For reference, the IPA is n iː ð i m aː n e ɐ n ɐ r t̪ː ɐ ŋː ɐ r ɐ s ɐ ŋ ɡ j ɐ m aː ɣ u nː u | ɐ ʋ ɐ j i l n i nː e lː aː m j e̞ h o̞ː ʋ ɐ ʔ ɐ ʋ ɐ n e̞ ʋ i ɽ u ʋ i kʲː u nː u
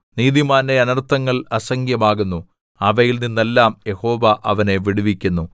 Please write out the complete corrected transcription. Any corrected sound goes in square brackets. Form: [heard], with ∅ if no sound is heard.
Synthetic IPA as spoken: n iː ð i m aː n e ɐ n ɐ r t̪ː ɐ ŋː ɐ [ɭ] ɐ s ɐ ŋ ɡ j ɐ m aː ɣ u nː u | ɐ ʋ ɐ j i l n i nː e lː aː m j e̞ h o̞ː ʋ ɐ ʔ ɐ ʋ ɐ n e̞ ʋ i ɽ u ʋ i kʲː u nː u